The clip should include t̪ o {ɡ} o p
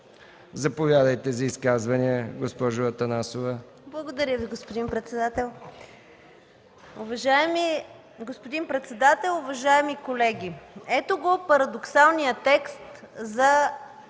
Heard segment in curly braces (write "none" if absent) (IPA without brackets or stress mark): ɡ